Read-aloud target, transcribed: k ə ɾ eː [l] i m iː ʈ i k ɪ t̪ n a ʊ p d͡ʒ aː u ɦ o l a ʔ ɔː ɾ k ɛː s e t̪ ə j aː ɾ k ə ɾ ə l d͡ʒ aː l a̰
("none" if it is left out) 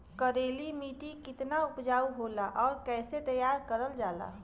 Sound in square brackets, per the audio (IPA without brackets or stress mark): l